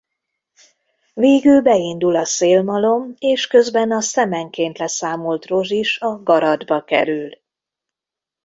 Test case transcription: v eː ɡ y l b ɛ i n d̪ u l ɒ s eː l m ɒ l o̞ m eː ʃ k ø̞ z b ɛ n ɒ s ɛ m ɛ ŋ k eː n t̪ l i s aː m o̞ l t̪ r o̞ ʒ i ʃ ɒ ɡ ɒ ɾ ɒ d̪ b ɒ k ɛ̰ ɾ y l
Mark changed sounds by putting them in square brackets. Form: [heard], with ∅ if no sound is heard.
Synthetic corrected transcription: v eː ɡ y l b ɛ i n d̪ u l ɒ s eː l m ɒ l o̞ m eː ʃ k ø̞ z b ɛ n ɒ s ɛ m ɛ ŋ k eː n t̪ l [ɛ] s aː m o̞ l t̪ r o̞ ʒ i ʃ ɒ ɡ ɒ ɾ ɒ d̪ b ɒ k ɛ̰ ɾ y l